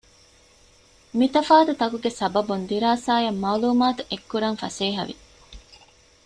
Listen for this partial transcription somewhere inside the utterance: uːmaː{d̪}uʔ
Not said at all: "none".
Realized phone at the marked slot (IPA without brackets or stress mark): t̪